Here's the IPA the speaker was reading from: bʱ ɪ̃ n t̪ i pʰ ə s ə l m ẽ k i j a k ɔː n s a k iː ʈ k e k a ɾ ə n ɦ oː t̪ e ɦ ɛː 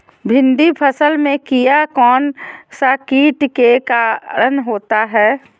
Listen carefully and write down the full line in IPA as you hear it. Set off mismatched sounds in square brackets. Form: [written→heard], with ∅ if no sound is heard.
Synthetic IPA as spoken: bʱ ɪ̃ n [t̪→d̪] i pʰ ə s ə l m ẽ k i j a k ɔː n s a k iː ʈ k e k a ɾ ə n ɦ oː t̪ [e→a] ɦ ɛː